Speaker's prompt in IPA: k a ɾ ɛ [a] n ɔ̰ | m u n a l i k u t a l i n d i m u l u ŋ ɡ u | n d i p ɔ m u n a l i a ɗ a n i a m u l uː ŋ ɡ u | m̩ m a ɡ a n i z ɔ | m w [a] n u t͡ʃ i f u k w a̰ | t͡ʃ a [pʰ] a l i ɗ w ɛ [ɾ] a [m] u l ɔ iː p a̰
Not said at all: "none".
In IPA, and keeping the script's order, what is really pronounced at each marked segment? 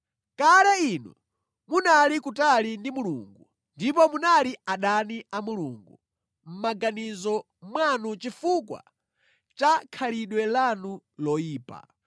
i, a, kʰ, l, n

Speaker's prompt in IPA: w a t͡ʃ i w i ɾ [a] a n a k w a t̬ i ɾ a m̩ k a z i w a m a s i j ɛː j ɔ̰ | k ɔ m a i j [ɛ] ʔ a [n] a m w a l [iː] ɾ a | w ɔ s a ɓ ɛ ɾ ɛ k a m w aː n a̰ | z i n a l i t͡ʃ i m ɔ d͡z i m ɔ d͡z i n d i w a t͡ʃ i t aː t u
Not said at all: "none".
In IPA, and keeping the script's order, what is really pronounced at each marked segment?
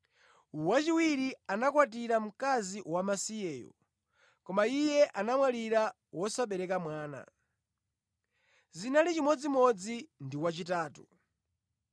i, ɛ, n, i

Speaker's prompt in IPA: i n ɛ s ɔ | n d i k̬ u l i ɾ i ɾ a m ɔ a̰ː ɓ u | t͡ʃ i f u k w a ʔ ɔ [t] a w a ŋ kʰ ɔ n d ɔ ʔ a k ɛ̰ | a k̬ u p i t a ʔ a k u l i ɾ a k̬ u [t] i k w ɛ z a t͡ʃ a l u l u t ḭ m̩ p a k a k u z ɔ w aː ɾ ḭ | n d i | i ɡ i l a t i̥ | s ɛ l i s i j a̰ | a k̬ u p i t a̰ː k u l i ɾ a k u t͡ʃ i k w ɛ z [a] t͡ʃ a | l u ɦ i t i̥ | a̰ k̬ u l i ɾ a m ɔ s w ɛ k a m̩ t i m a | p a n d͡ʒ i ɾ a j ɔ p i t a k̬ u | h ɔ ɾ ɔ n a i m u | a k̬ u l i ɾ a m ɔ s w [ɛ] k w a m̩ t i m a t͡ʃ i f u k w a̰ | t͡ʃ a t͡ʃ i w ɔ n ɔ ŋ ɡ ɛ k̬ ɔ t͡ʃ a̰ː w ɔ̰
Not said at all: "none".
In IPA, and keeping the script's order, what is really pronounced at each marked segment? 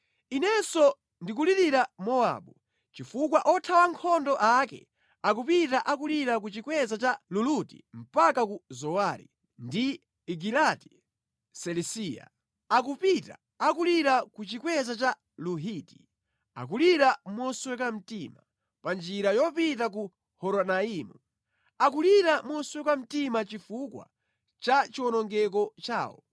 tʰ, t͡ʃ, a, ɛ

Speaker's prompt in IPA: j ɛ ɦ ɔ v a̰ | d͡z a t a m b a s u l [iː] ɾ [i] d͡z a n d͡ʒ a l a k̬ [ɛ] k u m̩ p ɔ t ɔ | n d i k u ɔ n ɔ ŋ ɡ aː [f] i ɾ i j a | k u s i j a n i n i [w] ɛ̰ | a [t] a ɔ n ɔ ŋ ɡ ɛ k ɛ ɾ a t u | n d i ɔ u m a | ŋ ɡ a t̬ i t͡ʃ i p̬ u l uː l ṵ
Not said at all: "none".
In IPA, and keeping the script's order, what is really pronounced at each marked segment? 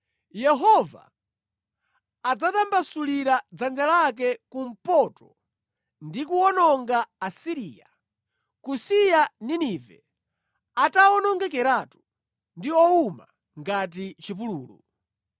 i, a, ɛ, s, v, t

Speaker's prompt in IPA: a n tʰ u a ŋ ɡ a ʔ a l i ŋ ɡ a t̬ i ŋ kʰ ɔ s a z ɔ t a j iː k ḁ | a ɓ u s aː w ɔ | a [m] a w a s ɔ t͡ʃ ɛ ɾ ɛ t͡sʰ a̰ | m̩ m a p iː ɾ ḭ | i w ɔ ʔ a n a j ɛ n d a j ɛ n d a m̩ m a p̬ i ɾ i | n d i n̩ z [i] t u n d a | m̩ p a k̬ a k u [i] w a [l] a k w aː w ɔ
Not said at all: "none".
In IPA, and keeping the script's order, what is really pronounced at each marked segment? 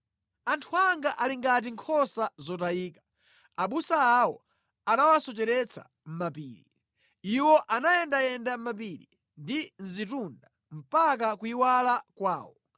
n, i, i, l

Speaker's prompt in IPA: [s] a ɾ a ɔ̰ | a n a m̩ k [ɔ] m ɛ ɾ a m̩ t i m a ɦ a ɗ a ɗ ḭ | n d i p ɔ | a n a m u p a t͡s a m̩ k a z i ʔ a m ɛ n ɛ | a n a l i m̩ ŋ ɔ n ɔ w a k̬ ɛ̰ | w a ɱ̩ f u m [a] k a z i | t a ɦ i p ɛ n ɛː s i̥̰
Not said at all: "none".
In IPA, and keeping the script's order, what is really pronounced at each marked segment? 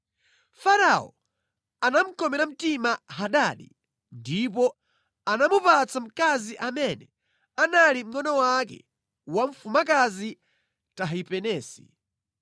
f, ɔ, a

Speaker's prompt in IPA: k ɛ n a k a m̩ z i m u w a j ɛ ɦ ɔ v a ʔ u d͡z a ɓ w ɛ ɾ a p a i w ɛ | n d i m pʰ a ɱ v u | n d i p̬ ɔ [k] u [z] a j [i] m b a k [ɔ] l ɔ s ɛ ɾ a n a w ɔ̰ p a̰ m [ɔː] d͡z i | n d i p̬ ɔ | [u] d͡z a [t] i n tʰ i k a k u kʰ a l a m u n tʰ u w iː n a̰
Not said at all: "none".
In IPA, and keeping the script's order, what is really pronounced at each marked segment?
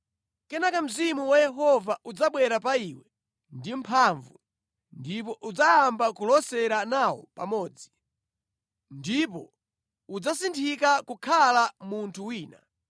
ʔ, d͡z, a, u, ɔː, u, s

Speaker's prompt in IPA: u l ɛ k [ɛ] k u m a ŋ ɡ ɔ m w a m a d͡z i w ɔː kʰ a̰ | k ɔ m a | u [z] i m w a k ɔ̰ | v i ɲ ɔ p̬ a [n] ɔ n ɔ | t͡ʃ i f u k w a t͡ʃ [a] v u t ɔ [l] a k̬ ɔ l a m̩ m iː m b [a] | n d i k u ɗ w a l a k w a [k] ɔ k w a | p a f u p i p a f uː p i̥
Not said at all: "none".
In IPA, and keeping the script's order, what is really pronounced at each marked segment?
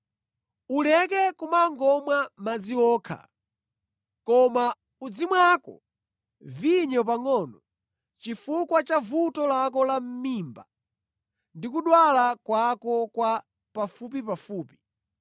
ɛ, d͡z, ŋ, a, l, a, k

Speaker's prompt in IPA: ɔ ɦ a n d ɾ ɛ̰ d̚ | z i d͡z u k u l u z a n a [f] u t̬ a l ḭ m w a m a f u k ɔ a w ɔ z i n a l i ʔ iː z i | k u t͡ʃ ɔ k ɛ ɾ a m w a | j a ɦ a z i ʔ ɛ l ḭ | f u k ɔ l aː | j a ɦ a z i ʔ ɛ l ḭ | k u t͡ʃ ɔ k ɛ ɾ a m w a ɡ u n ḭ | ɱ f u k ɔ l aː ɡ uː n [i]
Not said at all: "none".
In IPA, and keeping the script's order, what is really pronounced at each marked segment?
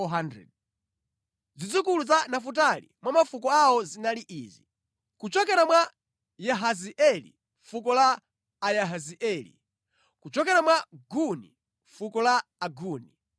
f, i

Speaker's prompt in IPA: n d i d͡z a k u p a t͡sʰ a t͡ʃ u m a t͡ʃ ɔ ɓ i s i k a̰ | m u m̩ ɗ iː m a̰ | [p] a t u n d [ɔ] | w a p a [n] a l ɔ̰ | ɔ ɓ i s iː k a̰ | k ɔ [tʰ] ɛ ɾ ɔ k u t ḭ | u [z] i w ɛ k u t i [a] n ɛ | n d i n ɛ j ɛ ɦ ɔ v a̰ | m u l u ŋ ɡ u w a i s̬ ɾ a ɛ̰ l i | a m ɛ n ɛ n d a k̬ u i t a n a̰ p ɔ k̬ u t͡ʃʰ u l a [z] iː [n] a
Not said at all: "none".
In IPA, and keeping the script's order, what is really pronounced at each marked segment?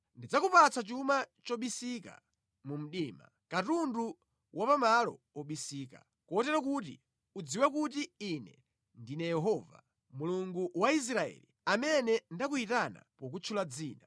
k, u, m, t, d͡z, i, d͡z, n

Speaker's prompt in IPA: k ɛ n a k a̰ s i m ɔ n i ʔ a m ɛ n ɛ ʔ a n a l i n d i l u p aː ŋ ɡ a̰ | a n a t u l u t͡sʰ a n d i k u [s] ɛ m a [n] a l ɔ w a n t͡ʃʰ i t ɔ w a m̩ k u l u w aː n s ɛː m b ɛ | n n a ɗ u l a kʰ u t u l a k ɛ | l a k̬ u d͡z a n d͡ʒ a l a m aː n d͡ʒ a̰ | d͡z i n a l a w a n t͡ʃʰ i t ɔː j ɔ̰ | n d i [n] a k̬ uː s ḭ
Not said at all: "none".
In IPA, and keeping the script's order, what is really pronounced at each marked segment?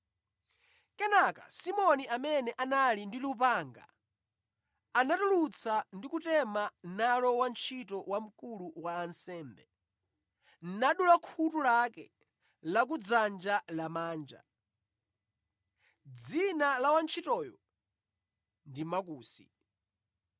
t, n, m

